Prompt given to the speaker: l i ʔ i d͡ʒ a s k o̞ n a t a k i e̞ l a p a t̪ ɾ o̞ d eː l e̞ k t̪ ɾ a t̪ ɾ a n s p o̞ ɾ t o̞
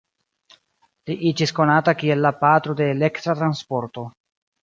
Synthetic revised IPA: l i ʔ i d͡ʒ i s k o̞ n a t a k i e̞ lː a p a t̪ ɾ o̞ d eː l e̞ k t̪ ɾ a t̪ ɾ a n s p o̞ ɾ t o̞